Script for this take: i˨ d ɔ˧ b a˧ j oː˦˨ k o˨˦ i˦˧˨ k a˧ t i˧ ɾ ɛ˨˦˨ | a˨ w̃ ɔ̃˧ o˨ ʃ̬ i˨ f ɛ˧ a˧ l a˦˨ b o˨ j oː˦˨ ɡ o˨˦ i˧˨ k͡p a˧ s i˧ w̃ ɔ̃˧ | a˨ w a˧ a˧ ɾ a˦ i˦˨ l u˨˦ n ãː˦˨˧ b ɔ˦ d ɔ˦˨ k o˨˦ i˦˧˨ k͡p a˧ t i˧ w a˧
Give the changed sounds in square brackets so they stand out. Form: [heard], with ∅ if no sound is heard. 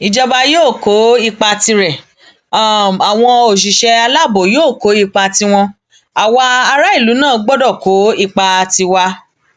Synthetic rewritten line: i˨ [d͡ʒ] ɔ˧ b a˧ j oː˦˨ k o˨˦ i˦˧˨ [k͡p] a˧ t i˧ ɾ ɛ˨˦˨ | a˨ w̃ ɔ̃˧ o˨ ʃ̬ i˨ [ʃ] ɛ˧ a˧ l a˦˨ b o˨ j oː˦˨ [k] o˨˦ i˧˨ k͡p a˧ [t] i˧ w̃ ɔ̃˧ | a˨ w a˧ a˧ ɾ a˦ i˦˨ l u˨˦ n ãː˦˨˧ [ɡ͡b] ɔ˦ d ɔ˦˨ k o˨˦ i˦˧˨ k͡p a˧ t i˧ w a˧